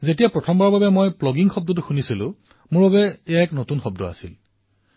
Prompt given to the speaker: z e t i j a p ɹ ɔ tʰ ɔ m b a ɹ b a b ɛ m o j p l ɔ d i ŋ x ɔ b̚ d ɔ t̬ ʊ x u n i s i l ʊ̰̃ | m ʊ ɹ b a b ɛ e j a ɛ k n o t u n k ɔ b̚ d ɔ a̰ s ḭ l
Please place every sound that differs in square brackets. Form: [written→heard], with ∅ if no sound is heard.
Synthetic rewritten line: z e t i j a p ɹ ɔ tʰ ɔ m b a ɹ b a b ɛ m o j p l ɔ [d→ɡ] i ŋ x ɔ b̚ d ɔ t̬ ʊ x u n i s i l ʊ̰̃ | m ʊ ɹ b a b ɛ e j a ɛ k n o t u n [k→x] ɔ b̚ d ɔ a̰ s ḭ l

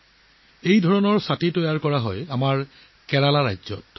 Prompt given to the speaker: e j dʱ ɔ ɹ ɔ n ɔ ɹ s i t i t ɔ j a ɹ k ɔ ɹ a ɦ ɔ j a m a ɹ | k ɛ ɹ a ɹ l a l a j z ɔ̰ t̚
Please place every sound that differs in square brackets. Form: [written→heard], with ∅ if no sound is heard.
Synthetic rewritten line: e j dʱ ɔ ɹ ɔ n ɔ ɹ s [i→a] t i t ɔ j a ɹ k ɔ ɹ a ɦ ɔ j a m a ɹ | k ɛ ɹ a [ɹ→∅] l a [l→ɹ] a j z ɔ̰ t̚

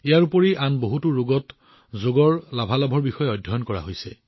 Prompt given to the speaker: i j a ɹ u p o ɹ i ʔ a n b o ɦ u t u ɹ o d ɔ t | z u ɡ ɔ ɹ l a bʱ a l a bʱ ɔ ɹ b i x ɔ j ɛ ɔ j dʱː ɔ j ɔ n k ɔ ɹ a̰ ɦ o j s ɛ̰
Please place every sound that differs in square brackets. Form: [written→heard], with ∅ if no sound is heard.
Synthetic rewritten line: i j a ɹ u p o ɹ i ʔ a n b o ɦ u t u ɹ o [d→ɡ] ɔ t | z [u→o] ɡ ɔ ɹ l a bʱ a l a bʱ ɔ ɹ b i x ɔ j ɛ ɔ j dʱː ɔ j ɔ n k ɔ ɹ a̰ ɦ o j s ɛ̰

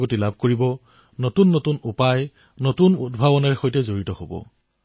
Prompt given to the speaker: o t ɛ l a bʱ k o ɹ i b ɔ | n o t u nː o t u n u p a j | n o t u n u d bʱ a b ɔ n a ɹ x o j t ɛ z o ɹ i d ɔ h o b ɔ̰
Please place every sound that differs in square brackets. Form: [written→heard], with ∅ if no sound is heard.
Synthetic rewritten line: o t [ɛ→i] l a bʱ k o ɹ i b ɔ | n o t u nː o t u n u p a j | n o t u n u d bʱ a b ɔ n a ɹ x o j t ɛ z o ɹ i [d→t] ɔ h o b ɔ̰

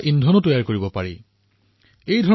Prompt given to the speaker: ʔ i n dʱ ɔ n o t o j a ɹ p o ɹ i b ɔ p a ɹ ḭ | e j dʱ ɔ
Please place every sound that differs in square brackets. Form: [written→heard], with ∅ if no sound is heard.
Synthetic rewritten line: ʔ i n dʱ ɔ n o t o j a ɹ [p→k] o ɹ i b ɔ p a ɹ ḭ | e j dʱ ɔ

